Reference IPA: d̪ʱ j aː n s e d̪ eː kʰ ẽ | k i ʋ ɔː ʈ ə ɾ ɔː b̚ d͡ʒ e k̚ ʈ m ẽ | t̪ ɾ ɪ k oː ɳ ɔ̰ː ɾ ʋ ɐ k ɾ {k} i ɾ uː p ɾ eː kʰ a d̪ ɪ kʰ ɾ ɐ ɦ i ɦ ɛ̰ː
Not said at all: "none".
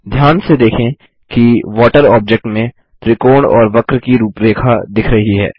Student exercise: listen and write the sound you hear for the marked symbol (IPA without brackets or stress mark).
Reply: k